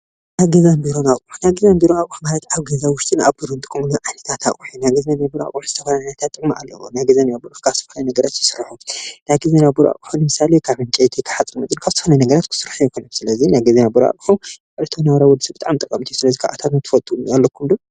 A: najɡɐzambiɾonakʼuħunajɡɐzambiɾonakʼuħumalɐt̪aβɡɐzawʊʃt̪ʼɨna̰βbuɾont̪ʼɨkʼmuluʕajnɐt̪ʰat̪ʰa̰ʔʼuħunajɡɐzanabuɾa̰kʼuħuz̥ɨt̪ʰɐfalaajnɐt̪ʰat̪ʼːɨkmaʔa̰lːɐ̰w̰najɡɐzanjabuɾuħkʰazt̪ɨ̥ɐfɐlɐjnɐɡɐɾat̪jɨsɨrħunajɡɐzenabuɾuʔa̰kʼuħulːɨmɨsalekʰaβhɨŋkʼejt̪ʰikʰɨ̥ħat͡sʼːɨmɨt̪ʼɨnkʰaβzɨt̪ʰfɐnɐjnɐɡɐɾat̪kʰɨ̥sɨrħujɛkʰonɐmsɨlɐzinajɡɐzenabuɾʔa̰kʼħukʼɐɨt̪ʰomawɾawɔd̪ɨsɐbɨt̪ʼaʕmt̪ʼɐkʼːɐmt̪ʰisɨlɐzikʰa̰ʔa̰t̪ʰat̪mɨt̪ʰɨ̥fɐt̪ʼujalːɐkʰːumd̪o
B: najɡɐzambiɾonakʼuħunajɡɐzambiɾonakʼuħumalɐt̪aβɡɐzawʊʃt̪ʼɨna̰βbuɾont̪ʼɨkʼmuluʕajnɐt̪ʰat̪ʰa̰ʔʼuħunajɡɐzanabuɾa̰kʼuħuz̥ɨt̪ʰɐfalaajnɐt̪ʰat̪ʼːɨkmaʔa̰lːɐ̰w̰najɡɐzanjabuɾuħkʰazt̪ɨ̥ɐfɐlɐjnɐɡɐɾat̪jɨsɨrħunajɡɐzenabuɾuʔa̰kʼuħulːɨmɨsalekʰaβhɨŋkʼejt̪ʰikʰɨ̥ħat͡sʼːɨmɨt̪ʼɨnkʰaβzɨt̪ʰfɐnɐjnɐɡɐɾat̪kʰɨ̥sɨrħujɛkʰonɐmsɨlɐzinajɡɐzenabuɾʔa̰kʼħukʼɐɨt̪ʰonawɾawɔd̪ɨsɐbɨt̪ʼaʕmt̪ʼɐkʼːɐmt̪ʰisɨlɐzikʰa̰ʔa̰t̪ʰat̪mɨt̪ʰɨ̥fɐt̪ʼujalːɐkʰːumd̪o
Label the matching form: B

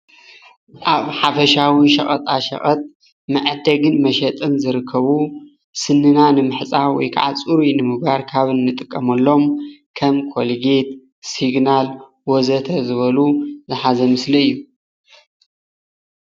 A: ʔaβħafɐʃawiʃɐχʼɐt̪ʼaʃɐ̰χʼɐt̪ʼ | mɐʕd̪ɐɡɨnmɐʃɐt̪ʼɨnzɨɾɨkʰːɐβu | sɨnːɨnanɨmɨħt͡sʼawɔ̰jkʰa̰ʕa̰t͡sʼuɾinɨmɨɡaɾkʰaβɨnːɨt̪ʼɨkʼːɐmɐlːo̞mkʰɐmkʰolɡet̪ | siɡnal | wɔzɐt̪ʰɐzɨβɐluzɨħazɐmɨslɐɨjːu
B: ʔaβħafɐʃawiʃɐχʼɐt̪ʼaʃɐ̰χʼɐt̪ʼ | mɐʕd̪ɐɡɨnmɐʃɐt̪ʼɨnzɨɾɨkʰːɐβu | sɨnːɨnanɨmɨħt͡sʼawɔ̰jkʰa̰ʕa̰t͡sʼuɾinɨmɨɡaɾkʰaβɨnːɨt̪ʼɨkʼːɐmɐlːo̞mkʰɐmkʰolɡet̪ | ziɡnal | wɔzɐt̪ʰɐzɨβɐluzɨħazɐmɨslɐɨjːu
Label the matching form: A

